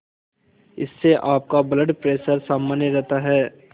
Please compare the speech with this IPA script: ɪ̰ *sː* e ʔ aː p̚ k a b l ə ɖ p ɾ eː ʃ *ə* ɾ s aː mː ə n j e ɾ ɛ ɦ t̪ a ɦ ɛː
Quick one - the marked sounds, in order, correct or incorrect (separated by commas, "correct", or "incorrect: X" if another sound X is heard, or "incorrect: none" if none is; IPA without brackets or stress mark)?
correct, correct